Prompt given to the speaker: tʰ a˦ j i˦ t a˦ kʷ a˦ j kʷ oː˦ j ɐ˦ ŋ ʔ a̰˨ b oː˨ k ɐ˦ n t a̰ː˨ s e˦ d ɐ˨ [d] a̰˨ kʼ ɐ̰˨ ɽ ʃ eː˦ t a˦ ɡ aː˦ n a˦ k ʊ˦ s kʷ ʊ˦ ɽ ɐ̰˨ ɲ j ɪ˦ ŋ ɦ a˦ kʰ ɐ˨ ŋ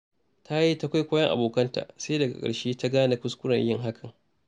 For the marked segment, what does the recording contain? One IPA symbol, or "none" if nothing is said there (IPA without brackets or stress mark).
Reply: ɡ